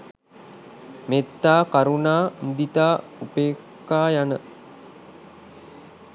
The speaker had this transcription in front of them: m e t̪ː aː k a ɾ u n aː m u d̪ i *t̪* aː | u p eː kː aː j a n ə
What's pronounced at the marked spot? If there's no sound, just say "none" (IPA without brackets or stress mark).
t̪